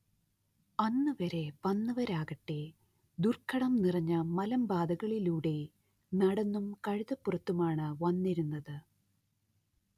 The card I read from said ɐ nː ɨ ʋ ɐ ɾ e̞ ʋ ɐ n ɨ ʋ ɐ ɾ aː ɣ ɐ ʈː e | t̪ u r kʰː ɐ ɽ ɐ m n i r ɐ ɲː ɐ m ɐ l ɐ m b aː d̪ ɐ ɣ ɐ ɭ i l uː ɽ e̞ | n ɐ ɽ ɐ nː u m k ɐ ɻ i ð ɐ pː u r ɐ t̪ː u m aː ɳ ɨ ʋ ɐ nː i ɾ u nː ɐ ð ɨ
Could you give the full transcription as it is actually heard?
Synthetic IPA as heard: ɐ nː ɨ ʋ ɐ ɾ e̞ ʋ ɐ nː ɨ ʋ ɐ ɾ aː ɣ ɐ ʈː e | d̪ u r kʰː ɐ ɽ ɐ m n i r ɐ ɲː ɐ m ɐ l ɐ m b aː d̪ ɐ ɣ ɐ ɭ i l uː ɽ e̞ | n ɐ ɽ ɐ nː u m k ɐ ɻ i ð ɐ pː u r ɐ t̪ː u m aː ɳ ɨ ʋ ɐ nː i ɾ u nː ɐ ð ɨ